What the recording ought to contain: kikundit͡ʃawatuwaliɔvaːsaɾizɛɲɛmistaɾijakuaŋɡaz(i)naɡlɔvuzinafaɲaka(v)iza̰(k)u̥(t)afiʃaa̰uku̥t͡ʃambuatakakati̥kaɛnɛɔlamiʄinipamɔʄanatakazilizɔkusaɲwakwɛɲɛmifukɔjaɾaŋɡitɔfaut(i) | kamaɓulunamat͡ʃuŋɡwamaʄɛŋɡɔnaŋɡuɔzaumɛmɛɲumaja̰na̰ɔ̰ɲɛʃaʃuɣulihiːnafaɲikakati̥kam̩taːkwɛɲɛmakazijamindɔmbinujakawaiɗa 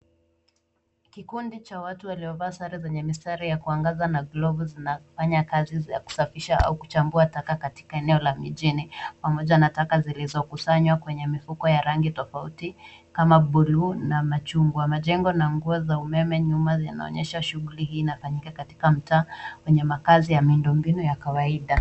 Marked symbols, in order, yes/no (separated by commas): no, no, yes, no, yes